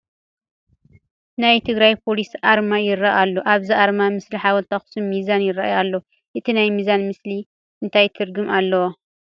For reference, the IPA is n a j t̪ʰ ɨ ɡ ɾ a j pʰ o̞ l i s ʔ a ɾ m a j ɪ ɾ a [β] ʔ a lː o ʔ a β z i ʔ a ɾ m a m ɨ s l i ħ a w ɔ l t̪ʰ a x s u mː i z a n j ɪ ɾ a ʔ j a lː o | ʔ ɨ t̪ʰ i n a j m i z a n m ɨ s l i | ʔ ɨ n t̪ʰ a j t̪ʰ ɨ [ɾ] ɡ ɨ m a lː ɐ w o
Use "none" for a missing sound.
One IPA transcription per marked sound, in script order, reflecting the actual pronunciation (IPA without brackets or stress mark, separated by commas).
none, ɾ